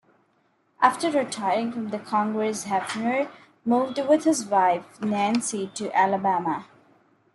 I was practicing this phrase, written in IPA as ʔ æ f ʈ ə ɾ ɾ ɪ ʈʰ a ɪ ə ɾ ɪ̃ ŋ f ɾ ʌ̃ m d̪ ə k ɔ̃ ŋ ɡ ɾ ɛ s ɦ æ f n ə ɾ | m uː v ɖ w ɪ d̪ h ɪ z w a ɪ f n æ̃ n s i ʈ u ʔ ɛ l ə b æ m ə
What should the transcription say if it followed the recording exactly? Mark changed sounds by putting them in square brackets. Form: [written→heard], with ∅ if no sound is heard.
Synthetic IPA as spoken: ʔ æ f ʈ ə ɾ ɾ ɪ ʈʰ a ɪ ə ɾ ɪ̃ ŋ f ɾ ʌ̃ m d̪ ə [k→kʰ] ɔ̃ ŋ ɡ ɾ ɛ s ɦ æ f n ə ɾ | m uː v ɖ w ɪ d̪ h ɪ z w a ɪ f n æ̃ n s i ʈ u ʔ [ɛ→æ] l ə b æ m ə